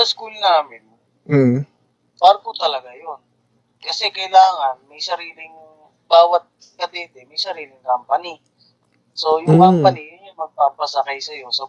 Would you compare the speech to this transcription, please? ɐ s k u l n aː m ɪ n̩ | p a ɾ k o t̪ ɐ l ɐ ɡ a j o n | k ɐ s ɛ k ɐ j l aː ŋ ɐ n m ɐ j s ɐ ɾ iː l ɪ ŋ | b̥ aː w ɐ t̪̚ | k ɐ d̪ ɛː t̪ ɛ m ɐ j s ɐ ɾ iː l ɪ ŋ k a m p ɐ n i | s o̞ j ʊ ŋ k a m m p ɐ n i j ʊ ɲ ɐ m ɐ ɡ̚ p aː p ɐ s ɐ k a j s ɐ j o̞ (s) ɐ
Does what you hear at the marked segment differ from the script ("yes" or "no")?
no